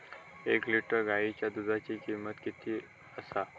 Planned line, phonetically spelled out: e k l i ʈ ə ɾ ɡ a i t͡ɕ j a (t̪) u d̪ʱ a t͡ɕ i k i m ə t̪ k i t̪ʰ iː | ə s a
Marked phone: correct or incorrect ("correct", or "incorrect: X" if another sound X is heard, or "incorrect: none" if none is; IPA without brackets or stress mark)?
incorrect: d̪